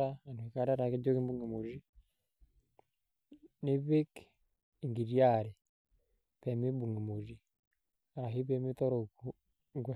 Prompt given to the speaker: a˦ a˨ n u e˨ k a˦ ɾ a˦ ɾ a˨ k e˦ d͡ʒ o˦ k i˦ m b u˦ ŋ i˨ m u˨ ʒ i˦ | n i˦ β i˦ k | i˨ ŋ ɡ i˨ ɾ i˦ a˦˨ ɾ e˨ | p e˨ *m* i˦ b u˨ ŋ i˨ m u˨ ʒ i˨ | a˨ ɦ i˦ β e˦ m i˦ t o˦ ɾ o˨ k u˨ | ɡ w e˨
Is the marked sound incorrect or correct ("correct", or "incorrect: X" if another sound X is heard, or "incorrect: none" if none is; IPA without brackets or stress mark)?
correct